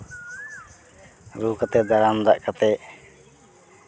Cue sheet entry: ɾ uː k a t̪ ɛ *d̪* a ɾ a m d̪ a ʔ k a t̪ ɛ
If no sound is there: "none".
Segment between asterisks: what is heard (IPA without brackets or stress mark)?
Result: d̪